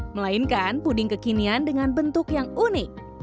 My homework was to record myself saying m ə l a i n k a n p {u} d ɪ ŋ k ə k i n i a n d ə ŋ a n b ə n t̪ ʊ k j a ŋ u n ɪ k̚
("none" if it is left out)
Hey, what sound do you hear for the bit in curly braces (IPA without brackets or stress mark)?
u